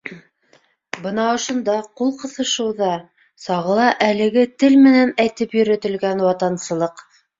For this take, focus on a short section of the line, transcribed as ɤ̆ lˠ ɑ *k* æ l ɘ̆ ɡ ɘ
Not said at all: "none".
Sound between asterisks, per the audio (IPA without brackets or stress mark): ʔ